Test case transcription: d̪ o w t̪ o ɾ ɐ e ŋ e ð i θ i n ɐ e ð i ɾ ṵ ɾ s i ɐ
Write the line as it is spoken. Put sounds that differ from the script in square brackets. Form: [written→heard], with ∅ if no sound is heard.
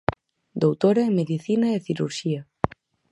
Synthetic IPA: d̪ o w t̪ o ɾ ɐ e [ŋ→m] e ð i θ i n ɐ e [ð→θ] i ɾ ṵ ɾ [s→ʃ] i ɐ